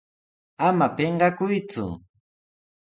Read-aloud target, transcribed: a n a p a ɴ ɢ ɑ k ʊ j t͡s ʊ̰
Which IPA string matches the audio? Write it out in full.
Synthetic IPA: a m a p e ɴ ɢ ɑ k ʊ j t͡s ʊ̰